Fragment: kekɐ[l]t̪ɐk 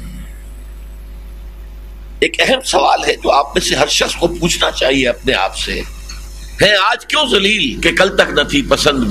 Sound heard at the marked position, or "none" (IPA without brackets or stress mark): l